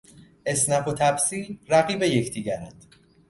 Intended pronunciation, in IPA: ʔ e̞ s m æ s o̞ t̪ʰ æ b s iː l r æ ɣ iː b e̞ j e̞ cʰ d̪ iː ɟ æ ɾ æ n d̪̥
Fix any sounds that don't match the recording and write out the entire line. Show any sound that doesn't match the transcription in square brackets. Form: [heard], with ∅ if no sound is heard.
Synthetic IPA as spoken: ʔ e̞ s [n] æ [f] o̞ t̪ʰ æ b s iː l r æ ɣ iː b e̞ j e̞ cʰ d̪ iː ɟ æ ɾ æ n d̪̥